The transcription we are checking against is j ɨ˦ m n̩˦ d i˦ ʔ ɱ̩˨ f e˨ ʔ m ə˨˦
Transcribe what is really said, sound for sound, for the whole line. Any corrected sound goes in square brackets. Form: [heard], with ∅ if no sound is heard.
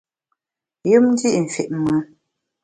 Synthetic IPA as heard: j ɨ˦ m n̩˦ d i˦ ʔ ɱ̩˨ f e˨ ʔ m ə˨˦